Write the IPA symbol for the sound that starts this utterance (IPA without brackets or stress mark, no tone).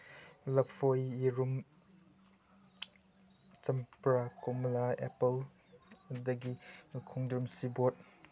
l